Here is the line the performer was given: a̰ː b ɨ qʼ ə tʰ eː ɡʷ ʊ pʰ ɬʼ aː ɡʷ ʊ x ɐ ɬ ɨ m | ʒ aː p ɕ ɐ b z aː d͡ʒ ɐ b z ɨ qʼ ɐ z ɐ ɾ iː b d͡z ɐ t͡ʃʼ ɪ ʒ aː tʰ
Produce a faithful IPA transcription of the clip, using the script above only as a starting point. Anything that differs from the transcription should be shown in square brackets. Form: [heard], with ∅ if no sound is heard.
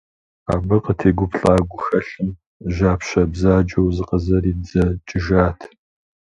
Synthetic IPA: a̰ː b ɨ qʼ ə tʰ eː ɡʷ ʊ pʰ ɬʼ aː ɡʷ ʊ x ɐ ɬ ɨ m | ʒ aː p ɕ ɐ b z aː d͡ʒ ɐ [w] z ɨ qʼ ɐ z ɐ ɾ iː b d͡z ɐ t͡ʃʼ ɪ ʒ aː tʰ